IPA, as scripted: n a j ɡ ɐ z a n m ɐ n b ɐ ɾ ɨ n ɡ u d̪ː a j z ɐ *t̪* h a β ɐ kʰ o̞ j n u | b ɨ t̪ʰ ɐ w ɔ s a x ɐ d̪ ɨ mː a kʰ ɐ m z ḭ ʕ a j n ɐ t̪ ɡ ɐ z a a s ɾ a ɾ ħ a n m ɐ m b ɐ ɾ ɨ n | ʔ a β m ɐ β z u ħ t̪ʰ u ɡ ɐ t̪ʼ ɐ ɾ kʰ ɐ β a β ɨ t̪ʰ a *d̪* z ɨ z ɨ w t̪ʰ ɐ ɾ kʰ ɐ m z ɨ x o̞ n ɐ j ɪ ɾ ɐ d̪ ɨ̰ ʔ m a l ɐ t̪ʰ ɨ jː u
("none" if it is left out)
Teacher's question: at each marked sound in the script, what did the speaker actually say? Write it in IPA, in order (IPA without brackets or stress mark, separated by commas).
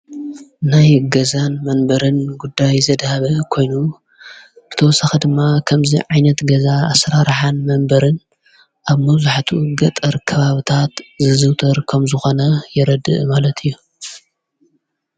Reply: d̪, t̪